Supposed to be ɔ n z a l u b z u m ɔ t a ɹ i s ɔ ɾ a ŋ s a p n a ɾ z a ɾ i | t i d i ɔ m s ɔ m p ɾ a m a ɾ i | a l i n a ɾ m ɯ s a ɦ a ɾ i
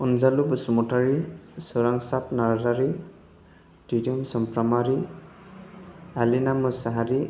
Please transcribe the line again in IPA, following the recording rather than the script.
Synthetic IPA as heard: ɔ n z a l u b s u m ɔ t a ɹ i s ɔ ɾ a ŋ s a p n a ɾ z a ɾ i | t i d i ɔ m s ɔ m p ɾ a m a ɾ i | a l i n a m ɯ s a ɦ a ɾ i